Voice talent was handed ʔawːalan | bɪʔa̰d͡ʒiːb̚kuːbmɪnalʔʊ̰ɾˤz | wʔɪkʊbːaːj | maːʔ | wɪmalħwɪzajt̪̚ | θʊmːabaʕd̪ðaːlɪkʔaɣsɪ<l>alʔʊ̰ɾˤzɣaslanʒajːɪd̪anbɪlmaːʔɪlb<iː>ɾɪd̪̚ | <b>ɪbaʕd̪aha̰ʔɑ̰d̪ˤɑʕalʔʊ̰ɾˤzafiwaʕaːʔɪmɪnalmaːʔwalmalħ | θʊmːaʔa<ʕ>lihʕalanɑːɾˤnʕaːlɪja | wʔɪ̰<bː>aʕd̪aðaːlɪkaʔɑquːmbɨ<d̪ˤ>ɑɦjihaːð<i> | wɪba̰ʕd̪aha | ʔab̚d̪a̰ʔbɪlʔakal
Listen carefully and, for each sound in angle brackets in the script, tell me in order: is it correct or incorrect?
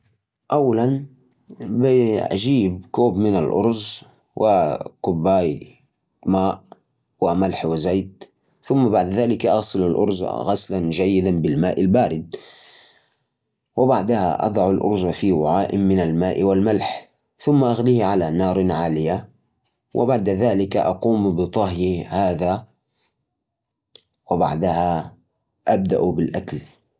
correct, incorrect, incorrect, incorrect, incorrect, incorrect, incorrect

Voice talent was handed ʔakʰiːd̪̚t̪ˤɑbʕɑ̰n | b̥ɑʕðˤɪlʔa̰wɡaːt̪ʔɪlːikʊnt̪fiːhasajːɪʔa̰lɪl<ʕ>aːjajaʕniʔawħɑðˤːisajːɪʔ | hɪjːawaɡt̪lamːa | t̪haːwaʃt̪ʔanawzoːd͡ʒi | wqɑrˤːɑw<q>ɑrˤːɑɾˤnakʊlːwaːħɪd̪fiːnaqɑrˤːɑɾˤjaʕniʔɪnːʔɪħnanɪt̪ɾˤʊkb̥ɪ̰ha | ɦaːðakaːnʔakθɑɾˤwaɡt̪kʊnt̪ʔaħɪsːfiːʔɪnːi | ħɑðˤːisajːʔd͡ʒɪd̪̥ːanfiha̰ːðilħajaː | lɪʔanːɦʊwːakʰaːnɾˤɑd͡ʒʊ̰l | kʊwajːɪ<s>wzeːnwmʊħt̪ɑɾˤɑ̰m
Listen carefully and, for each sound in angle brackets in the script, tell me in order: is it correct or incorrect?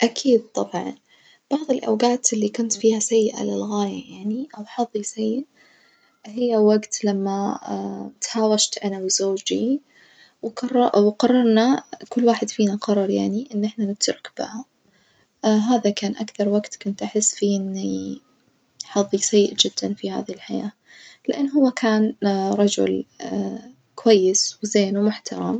incorrect, correct, correct

